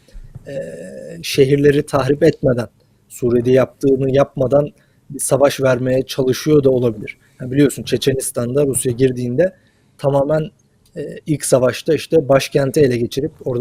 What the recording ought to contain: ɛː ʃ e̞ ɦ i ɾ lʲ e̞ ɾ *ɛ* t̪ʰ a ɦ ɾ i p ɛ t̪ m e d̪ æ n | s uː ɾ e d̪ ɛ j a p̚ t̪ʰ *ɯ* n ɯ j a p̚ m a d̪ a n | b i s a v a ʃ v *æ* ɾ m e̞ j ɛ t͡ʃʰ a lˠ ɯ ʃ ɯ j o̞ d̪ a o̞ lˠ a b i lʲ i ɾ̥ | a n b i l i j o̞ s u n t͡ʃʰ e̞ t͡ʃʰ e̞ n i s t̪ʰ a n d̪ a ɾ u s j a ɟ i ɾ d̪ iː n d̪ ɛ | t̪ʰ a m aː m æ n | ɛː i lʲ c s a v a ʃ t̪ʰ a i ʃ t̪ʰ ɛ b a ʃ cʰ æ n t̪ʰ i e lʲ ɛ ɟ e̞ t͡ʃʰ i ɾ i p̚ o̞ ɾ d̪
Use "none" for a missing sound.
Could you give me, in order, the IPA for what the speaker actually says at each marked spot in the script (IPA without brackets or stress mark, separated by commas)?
i, ɯː, æ